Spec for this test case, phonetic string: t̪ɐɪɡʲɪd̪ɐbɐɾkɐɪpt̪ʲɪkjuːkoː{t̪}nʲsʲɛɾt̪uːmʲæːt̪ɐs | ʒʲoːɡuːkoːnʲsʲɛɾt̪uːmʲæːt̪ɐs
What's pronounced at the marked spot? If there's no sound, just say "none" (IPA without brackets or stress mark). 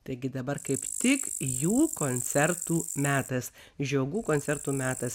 none